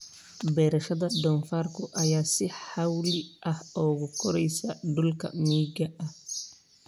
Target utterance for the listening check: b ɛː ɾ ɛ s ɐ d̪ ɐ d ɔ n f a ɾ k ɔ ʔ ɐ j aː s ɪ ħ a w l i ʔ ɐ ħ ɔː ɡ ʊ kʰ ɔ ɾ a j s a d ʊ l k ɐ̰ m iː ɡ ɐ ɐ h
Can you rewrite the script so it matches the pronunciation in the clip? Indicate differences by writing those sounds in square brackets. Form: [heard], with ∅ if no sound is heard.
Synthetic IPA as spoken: b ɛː ɾ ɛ [ʃ] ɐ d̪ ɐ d ɔ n f a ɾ k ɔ ʔ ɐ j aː s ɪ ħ a w l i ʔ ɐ [h] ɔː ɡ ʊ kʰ ɔ ɾ [ɛ] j s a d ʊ l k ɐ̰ m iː ɡ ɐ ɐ h